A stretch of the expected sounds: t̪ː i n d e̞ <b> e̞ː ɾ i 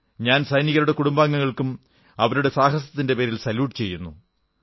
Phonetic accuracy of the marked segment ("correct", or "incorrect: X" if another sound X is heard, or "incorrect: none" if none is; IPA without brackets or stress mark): incorrect: p